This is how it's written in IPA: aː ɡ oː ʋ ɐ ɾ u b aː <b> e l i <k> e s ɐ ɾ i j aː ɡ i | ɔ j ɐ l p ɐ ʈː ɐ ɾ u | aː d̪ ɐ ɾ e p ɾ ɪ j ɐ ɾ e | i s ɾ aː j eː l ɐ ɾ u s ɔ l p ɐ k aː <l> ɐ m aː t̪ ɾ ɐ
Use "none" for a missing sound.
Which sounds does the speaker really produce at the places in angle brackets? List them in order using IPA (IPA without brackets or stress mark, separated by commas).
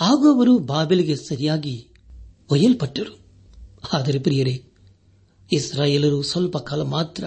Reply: b, ɡ, l